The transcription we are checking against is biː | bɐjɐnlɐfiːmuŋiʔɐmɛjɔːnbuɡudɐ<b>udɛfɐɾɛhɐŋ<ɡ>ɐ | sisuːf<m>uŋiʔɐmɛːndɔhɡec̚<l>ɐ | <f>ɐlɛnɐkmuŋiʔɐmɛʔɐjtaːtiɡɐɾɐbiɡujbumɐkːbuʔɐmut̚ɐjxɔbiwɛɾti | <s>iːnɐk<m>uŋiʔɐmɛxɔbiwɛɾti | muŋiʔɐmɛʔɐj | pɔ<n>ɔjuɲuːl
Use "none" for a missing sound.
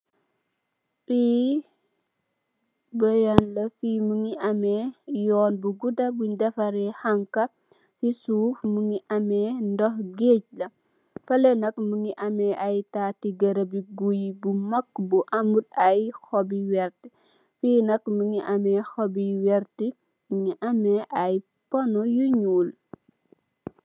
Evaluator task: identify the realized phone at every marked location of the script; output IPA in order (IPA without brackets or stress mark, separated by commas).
b, k, m, l, f, f, m, n